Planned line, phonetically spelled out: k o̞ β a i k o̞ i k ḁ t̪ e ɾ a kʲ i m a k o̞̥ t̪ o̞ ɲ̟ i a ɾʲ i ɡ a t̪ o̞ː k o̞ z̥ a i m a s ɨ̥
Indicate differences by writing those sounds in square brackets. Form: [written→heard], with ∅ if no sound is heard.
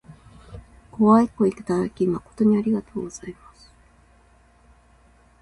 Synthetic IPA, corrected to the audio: k o̞ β a i k o̞ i k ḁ t̪ [e→a] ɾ a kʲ i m a k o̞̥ t̪ o̞ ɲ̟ i a ɾʲ i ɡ a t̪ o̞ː [k→ɡ] o̞ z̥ a i m a s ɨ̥